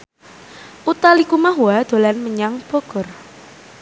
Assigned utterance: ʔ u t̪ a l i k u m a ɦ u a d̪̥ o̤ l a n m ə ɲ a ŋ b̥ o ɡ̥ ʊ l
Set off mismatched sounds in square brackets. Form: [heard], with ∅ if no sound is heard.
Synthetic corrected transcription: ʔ u t̪ a l i k u m a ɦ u a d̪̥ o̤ l a n m ə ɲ a ŋ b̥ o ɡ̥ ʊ [r]